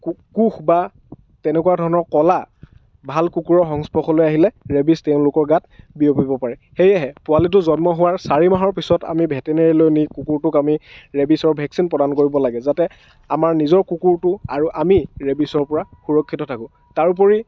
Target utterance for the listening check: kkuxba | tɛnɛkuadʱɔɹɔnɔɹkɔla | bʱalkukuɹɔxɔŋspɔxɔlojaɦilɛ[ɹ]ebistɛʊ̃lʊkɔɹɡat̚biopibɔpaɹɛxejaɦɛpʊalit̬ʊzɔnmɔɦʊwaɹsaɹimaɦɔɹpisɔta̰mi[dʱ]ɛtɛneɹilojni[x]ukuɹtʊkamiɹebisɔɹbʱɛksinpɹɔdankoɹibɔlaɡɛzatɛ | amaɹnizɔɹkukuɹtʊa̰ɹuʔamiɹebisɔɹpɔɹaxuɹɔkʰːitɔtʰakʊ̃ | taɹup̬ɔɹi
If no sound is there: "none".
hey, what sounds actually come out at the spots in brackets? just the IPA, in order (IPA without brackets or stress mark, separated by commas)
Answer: ɹ, bʱ, k